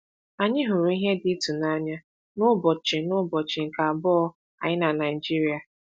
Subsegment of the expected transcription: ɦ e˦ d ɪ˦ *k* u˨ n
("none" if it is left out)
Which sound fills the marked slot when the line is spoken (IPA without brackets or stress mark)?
t